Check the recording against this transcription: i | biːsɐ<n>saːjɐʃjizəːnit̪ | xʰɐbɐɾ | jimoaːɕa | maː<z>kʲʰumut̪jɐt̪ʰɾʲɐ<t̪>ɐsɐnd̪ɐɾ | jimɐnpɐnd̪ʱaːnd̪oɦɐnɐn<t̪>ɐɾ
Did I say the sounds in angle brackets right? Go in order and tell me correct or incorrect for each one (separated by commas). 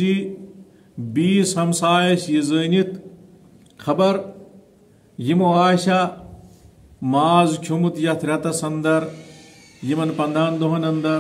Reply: incorrect, correct, correct, incorrect